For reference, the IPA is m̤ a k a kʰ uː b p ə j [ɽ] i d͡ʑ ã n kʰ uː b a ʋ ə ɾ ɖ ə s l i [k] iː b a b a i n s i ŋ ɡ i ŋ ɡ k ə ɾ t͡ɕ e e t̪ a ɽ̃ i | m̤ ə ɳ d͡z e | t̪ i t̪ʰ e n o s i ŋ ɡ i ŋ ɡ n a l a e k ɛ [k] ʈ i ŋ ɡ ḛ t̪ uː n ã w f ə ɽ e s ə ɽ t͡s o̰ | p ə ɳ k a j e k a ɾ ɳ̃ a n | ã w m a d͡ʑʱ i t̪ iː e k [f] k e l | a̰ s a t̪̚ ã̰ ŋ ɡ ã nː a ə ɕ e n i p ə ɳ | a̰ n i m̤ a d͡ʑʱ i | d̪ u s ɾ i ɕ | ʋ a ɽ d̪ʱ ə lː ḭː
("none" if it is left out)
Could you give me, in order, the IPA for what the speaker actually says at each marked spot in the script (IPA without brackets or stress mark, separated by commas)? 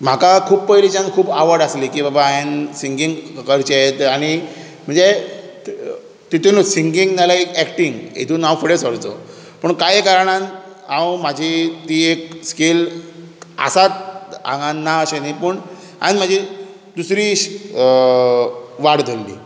l, k, k, s